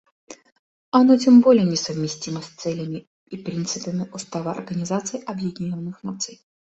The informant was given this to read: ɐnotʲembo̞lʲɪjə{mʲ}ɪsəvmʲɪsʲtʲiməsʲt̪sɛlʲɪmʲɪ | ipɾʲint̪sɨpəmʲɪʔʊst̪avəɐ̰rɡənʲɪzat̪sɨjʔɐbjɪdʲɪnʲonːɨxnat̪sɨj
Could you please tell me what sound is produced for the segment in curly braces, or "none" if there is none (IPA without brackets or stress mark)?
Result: nʲ